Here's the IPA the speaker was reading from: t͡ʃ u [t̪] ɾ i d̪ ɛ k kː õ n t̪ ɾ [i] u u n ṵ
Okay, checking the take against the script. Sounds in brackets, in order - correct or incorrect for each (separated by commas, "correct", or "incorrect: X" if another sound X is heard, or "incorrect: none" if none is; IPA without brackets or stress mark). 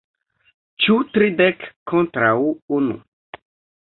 correct, incorrect: a